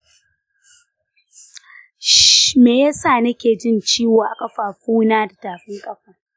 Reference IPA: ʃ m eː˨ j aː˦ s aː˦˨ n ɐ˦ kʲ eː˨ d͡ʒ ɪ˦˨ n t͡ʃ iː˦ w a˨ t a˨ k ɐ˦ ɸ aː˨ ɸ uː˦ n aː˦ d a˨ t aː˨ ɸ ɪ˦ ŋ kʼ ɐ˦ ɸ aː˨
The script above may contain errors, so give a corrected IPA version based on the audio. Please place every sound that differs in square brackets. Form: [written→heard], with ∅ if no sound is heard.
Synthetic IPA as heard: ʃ m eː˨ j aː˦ s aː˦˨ n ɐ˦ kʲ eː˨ d͡ʒ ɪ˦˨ n t͡ʃ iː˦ w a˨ [t→ʔ] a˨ [k→kʼ] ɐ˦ ɸ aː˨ ɸ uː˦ n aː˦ d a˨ t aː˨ ɸ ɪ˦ ŋ kʼ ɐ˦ ɸ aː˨